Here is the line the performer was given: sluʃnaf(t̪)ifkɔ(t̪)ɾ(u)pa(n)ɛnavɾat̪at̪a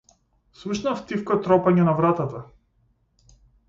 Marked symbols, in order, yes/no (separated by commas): yes, yes, no, no